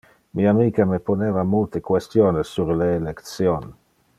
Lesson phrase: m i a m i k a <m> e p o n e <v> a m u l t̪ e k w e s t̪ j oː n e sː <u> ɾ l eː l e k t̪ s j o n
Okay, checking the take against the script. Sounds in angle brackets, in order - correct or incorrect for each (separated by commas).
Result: correct, correct, correct